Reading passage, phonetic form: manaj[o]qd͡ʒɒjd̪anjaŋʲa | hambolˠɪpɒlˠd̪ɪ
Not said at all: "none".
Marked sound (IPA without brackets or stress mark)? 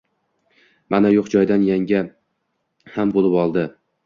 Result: o